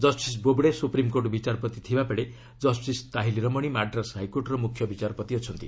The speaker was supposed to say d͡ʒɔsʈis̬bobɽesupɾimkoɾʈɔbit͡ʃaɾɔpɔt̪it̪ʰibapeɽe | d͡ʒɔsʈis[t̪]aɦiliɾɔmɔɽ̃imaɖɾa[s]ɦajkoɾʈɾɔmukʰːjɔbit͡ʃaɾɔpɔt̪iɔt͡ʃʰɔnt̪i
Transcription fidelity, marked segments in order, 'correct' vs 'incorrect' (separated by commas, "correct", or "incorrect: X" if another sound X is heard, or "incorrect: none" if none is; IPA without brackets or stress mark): correct, correct